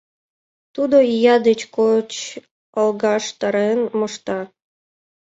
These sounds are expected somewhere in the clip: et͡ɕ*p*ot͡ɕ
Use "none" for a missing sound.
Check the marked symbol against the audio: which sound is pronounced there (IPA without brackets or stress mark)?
k